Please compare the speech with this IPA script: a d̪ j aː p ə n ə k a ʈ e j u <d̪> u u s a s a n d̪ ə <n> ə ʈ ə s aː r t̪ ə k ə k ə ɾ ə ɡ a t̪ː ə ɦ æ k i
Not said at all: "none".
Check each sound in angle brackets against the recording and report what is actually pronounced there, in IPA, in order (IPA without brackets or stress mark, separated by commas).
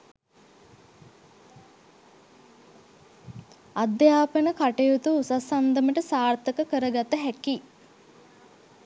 t̪, m